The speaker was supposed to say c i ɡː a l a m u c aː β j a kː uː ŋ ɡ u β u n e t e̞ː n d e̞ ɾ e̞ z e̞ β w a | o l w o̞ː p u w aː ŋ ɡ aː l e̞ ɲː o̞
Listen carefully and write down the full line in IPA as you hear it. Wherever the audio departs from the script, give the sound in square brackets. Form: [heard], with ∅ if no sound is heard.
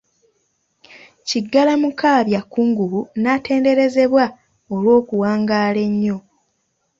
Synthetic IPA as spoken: c i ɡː a l a m u [k] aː β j a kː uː ŋ ɡ u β u n [a] t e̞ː n d e̞ ɾ e̞ z e̞ β w a | o l w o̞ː [k] u w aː ŋ ɡ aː l e̞ ɲː o̞